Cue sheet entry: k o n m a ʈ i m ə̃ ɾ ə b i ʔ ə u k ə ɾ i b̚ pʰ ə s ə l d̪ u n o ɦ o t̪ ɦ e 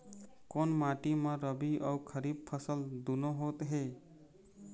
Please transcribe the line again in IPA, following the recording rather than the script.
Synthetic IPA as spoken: k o n m a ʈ i m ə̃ ɾ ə b i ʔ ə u kʰ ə ɾ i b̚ pʰ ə s ə l d̪ u n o ɦ o t̪ ɦ e